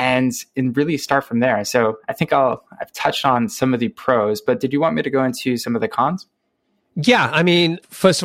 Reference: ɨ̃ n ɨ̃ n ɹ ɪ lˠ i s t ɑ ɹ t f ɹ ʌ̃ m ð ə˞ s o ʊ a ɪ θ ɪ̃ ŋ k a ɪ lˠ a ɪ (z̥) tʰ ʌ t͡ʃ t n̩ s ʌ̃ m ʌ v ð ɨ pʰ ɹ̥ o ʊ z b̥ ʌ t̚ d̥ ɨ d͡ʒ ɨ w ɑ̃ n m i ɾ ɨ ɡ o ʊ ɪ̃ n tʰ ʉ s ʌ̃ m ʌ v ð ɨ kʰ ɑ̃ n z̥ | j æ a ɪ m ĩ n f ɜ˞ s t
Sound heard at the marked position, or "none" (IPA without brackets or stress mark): v̥